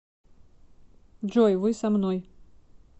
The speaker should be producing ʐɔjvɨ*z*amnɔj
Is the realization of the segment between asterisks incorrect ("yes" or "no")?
yes